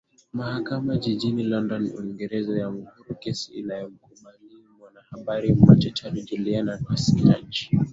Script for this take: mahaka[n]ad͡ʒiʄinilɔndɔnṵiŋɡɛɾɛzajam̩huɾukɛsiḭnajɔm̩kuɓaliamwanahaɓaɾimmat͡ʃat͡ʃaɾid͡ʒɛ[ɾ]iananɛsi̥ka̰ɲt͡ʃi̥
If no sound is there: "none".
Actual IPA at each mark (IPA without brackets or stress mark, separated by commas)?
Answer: m, l